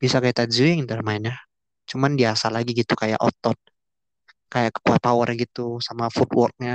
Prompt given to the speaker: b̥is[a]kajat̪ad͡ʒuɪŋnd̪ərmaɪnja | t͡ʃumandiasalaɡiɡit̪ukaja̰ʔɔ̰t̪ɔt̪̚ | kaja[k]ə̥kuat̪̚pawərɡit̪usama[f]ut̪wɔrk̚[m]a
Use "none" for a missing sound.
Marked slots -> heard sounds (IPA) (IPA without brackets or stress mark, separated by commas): a, k, f, ɲ